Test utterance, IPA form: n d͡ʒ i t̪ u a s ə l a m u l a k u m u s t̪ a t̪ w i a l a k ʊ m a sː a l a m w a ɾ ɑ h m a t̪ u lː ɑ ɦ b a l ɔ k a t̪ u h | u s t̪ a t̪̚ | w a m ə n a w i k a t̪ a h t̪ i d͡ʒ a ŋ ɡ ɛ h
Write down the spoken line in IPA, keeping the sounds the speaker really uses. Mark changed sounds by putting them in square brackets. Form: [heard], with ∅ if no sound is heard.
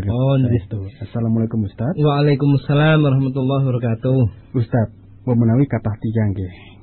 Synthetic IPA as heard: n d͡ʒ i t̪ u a s [a] l a m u l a k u m u s t̪ a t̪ w [a] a l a k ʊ m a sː a l a m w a ɾ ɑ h m a t̪ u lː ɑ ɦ b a [ɾ] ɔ k a t̪ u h | u s t̪ a t̪̚ | w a m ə n a w i k a t̪ a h t̪ i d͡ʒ a ŋ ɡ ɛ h